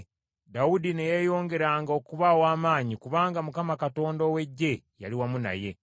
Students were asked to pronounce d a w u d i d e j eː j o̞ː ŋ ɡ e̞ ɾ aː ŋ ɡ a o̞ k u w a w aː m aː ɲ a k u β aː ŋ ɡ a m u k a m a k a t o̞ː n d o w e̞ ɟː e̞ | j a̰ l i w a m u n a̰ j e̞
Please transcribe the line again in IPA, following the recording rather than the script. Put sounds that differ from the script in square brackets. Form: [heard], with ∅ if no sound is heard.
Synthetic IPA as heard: d a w u d i [n] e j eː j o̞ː ŋ ɡ e̞ ɾ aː ŋ ɡ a o̞ k u [β] a w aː m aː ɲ [i] k u β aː ŋ ɡ a m u k a m a k a t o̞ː n d o w e̞ ɟː e̞ | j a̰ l i w a m u n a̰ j e̞